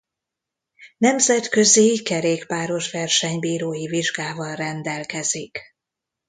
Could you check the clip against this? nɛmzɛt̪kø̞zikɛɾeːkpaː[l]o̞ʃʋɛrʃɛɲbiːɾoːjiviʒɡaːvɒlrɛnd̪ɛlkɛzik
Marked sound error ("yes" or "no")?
yes